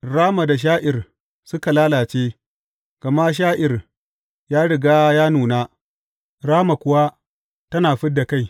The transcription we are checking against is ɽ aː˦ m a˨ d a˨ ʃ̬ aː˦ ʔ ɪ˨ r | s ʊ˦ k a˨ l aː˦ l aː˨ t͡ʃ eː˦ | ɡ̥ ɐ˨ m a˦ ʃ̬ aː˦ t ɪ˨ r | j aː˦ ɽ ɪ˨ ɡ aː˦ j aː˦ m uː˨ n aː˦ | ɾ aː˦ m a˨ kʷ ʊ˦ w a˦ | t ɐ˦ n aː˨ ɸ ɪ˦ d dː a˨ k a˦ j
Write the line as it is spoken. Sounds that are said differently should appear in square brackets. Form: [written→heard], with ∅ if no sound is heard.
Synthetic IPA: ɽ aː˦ m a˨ d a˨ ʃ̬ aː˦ ʔ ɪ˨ r | s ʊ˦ k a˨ l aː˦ l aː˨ t͡ʃ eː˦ | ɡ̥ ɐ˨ m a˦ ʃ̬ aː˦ [t→ʔ] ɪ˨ r | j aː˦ ɽ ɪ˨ ɡ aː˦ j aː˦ [m→n] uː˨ n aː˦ | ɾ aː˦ m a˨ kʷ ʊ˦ w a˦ | t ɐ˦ n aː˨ ɸ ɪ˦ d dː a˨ k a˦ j